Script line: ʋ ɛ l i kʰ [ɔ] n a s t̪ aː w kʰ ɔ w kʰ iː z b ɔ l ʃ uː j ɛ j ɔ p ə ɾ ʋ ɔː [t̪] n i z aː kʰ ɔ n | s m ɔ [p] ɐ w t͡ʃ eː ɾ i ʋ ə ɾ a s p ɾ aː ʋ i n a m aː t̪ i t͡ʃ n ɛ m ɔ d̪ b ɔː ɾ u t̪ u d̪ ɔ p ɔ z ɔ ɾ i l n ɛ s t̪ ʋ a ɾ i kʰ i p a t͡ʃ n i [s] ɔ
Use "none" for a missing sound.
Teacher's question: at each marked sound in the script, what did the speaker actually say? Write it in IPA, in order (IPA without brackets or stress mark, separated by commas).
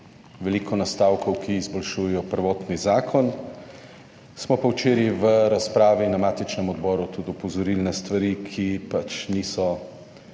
ɔ, t̪, p, s